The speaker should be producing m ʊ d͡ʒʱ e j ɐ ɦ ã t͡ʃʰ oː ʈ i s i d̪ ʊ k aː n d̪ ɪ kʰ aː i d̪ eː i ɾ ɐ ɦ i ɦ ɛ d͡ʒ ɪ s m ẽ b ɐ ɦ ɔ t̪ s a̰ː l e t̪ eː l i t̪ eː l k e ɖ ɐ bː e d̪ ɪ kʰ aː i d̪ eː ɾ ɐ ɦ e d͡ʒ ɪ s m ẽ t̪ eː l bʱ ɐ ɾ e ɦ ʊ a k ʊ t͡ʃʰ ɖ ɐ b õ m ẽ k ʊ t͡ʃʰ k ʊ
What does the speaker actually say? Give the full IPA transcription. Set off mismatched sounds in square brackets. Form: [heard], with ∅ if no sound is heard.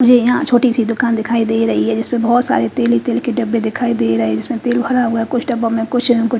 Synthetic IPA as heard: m ʊ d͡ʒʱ e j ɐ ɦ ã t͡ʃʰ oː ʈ i s i d̪ ʊ k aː n d̪ ɪ kʰ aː i d̪ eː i ɾ ɐ ɦ i ɦ ɛ d͡ʒ ɪ s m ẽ b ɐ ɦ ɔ t̪ s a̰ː [ɾ] e t̪ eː l i t̪ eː l k e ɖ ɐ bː e d̪ ɪ kʰ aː i d̪ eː ɾ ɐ ɦ e d͡ʒ ɪ s m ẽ t̪ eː l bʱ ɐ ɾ [a] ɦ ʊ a k ʊ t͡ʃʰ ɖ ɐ b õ m ẽ k ʊ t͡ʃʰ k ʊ